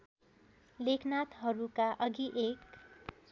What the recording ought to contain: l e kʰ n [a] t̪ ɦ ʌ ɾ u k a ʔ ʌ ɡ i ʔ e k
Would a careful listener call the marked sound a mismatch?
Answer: no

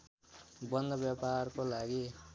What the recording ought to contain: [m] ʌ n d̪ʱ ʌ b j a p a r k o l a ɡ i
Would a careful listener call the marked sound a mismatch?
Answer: yes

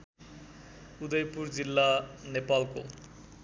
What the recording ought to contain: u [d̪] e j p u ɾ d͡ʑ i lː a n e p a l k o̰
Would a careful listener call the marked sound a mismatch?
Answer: no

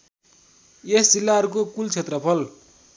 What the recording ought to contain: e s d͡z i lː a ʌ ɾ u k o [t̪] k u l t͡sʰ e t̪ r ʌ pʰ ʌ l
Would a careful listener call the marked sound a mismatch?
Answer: yes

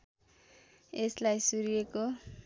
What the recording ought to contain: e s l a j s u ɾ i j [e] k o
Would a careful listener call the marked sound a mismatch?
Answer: no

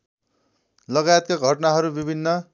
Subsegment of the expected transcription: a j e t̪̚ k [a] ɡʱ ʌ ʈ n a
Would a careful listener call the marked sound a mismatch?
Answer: no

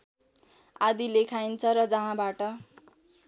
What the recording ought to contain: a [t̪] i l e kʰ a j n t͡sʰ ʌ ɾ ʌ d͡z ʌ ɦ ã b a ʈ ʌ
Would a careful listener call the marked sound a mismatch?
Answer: yes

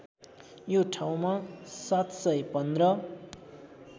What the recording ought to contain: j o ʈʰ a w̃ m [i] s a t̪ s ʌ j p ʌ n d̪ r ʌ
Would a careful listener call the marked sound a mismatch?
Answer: yes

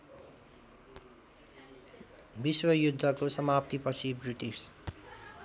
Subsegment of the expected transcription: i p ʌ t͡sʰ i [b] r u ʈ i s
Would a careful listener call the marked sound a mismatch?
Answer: no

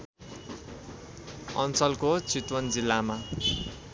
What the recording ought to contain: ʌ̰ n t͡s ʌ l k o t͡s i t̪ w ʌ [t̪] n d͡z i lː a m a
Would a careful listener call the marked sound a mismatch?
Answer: yes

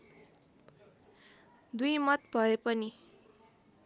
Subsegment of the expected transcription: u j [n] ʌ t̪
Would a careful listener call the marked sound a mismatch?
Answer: yes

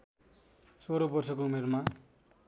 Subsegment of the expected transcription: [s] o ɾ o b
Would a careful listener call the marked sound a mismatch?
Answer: no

